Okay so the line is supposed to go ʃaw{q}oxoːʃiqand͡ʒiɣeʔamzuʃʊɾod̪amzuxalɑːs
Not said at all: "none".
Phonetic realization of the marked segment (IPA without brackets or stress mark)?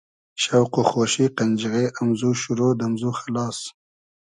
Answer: q